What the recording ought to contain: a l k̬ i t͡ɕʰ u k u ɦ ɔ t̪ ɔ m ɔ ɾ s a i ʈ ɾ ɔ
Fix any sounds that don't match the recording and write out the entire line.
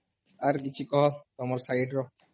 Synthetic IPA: a ɾ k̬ i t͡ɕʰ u k ɔ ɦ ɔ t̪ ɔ m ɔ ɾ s a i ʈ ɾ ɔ